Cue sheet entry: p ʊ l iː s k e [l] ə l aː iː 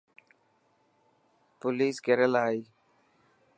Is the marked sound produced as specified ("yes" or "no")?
no